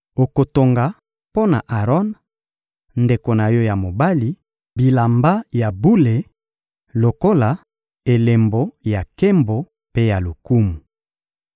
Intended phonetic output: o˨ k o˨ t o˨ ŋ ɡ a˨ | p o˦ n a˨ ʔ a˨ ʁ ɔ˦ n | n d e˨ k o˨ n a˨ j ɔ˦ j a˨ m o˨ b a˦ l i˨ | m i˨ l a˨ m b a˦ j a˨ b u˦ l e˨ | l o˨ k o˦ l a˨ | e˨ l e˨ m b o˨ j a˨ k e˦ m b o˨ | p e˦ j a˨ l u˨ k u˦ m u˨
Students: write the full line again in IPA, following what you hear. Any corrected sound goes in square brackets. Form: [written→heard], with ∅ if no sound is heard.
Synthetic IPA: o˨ k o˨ t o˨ ŋ ɡ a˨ | p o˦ n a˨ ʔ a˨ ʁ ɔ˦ n | n d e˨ k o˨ n a˨ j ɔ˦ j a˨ m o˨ b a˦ l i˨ | [m→b] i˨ l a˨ m b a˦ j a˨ b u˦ l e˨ | l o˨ k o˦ l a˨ | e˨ l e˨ m b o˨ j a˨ k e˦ m b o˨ | p e˦ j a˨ l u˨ k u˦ m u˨